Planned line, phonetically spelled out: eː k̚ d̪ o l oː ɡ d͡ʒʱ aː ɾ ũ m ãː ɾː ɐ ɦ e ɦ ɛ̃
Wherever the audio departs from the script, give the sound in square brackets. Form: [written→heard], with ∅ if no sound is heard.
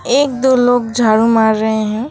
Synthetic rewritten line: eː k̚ d̪ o l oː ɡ d͡ʒʱ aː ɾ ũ m [ãː→aː] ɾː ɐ ɦ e ɦ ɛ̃

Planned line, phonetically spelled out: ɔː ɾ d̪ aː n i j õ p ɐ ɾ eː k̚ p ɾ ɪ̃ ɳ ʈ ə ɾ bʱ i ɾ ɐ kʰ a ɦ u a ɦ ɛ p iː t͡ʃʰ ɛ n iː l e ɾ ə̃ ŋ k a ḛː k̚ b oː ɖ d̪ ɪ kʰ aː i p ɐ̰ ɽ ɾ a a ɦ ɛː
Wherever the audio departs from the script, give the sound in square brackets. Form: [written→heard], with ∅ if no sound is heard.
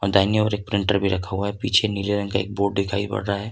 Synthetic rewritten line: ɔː ɾ d̪ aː n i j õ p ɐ ɾ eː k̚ p ɾ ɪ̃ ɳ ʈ ə ɾ bʱ i ɾ ɐ kʰ a ɦ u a ɦ ɛ p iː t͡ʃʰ [ɛ→e] n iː l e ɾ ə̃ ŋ k a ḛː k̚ b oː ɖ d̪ ɪ kʰ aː i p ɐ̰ ɽ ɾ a a ɦ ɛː

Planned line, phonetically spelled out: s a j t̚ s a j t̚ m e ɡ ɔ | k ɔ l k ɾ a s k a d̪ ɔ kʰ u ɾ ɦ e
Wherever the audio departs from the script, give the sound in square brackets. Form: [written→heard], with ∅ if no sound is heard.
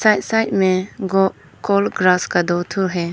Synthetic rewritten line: s a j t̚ s a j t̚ m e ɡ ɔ | k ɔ l [k→ɡ] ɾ a s k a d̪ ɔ [kʰ→tʰ] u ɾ ɦ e

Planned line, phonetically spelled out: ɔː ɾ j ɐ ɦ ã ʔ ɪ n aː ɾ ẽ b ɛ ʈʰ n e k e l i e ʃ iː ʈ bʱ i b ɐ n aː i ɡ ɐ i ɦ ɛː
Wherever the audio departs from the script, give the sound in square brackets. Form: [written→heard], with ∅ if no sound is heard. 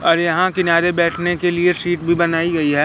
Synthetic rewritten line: ɔː ɾ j ɐ ɦ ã [ʔ→k] ɪ n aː ɾ [ẽ→e] b [ɛ→ɛː] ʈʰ n e k e l i e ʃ iː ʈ bʱ i b ɐ n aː i ɡ ɐ i ɦ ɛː

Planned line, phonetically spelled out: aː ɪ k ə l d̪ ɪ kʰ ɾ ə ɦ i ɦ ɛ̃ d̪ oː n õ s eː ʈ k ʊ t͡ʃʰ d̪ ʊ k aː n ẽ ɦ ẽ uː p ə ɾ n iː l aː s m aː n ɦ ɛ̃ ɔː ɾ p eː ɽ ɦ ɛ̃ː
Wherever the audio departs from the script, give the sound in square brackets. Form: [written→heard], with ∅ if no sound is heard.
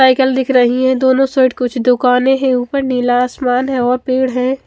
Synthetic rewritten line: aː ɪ k ə l d̪ ɪ kʰ ɾ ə ɦ i ɦ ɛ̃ d̪ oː n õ s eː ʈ k ʊ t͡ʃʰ d̪ ʊ k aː n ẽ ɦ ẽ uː p ə ɾ n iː l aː s m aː n ɦ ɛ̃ ɔː ɾ p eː ɽ ɦ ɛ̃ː

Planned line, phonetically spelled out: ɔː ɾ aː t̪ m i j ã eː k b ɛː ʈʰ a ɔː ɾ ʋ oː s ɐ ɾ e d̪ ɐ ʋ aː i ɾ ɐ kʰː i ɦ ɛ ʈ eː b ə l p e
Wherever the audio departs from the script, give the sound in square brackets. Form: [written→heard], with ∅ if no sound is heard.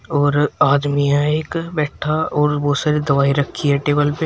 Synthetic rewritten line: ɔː ɾ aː [t̪→d̪] m i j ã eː k b ɛː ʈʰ a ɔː ɾ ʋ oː s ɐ ɾ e d̪ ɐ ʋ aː i ɾ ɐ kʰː i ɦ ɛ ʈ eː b ə l p e

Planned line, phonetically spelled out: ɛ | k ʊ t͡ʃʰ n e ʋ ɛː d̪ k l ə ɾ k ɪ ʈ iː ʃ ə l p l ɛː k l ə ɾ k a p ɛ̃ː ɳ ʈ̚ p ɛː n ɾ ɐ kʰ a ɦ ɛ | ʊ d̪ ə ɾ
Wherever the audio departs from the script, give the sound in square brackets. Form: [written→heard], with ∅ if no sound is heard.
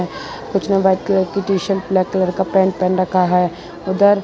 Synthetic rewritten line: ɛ | k ʊ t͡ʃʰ n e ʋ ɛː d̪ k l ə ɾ k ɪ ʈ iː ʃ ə l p l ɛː k l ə ɾ k a p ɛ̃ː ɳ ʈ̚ p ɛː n ɾ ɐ kʰ a ɦ ɛ | ʊ d̪ ə ɾ

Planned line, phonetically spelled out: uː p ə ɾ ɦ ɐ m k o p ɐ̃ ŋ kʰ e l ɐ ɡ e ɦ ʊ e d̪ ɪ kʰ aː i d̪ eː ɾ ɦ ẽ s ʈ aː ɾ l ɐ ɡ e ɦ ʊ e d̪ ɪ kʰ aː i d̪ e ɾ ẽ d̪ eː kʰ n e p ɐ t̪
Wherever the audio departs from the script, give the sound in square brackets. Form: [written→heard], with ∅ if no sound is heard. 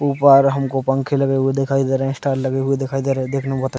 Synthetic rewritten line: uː p ə ɾ ɦ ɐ m k o p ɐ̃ ŋ kʰ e l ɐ ɡ e ɦ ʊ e d̪ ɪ kʰ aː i d̪ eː ɾ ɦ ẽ s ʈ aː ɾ l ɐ ɡ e ɦ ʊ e d̪ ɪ kʰ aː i d̪ e ɾ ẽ d̪ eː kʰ n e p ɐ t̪

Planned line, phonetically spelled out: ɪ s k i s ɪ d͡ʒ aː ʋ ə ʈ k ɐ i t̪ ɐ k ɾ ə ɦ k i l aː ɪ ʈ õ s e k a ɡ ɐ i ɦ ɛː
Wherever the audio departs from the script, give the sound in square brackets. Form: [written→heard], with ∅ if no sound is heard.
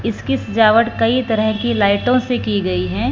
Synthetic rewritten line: ɪ s k i s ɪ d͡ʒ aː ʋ ə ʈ k ɐ i t̪ ɐ [k→∅] ɾ ə ɦ k i l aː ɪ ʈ õ s e k [a→i] ɡ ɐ i ɦ ɛː

